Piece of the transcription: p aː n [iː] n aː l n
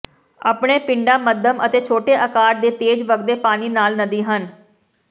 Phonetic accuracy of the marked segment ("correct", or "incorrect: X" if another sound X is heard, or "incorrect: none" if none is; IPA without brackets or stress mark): correct